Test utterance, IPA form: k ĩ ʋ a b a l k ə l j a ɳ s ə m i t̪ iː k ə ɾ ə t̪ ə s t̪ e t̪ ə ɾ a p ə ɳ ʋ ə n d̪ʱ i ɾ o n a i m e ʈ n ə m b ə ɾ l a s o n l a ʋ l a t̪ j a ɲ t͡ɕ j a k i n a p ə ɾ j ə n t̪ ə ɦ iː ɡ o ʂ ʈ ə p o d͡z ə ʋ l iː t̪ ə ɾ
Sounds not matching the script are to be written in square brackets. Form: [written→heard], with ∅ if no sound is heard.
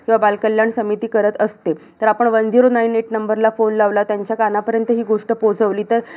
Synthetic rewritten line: k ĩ ʋ a b a l k ə l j a ɳ s ə m i t̪ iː k ə ɾ ə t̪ ə s t̪ e t̪ ə ɾ a p ə ɳ ʋ ə n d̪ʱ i ɾ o n a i [m→n] e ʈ n ə m b ə ɾ l a [s→f] o n l a ʋ l a t̪ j a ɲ t͡ɕ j a k [i→a] n a p ə ɾ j ə n t̪ ə ɦ iː ɡ o ʂ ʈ ə p o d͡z ə ʋ l iː t̪ ə ɾ